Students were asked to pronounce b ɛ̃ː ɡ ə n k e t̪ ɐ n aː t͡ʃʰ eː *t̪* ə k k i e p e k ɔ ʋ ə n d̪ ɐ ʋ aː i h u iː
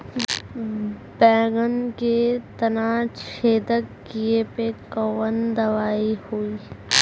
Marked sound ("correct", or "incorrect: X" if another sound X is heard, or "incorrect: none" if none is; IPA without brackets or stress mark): incorrect: d̪